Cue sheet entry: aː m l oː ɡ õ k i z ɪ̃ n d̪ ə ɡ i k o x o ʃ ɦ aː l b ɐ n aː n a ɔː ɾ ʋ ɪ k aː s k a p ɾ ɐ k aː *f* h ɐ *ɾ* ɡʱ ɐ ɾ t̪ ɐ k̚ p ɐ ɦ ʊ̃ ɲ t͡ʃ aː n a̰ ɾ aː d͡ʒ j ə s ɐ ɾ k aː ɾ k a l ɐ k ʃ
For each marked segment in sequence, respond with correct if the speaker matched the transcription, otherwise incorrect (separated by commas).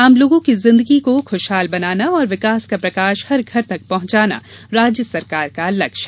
incorrect, correct